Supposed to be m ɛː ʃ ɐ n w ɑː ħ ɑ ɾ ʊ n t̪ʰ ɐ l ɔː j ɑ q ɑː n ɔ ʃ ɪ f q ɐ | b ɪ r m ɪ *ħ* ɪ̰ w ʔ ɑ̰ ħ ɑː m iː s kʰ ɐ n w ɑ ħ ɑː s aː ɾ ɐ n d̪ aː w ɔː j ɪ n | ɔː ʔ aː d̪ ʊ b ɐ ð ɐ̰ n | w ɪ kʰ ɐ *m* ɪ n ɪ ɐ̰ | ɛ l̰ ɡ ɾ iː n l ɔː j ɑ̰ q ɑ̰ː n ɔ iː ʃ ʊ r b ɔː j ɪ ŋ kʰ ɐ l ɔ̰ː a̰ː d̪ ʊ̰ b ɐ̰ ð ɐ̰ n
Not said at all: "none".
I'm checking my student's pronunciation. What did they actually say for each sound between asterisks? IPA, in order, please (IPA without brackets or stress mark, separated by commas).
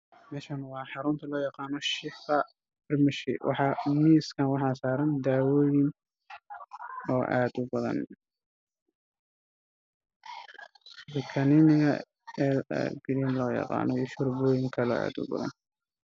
ʃ, n